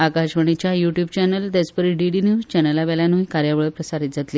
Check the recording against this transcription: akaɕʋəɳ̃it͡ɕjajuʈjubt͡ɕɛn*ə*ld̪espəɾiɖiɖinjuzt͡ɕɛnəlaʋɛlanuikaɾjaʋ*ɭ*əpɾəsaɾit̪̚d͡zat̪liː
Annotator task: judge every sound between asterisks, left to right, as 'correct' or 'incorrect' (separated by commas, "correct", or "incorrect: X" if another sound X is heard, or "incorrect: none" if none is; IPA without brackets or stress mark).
correct, correct